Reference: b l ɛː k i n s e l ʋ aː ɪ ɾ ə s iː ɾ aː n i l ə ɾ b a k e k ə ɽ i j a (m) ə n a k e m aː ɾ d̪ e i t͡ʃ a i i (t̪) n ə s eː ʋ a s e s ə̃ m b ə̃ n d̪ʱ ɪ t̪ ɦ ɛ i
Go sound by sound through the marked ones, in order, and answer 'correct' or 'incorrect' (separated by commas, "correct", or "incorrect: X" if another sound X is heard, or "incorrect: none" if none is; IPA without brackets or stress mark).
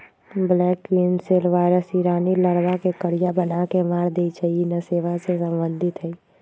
incorrect: b, incorrect: none